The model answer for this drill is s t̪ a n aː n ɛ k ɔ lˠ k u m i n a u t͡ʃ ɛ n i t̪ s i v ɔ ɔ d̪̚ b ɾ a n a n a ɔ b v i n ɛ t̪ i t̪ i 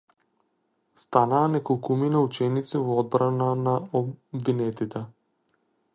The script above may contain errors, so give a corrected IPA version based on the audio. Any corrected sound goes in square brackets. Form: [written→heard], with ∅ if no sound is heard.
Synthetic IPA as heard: s t̪ a n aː n ɛ k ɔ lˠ k u m i n a u t͡ʃ ɛ n i t̪ s i v ɔ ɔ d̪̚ b ɾ a n a n a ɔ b v i n ɛ t̪ i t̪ [i→ɛ]